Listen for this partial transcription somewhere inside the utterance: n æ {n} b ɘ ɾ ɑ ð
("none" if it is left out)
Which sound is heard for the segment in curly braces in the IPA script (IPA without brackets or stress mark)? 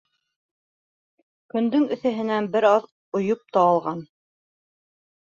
n